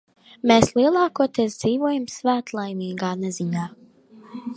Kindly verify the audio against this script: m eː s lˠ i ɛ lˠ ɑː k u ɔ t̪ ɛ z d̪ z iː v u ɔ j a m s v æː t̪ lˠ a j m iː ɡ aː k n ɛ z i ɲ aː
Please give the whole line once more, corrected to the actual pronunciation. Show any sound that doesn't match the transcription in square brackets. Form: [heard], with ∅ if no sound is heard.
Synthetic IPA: m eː s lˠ i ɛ lˠ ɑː k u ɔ t̪ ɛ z d̪ z iː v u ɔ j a m s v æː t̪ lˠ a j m iː ɡ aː [∅] n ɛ z i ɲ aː